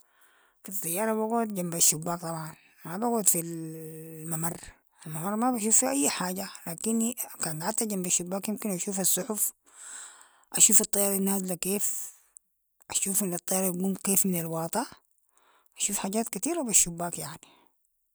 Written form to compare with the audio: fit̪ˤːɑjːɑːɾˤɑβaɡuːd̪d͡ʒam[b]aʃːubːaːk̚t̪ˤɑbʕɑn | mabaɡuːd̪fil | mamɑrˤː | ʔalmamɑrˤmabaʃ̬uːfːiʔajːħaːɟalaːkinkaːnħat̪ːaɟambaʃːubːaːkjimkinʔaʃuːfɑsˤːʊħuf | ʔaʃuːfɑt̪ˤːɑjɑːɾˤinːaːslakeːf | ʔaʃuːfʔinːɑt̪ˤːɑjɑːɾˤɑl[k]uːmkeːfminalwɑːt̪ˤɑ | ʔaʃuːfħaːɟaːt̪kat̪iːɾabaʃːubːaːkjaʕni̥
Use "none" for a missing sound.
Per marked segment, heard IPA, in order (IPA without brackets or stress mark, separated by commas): b, ɡ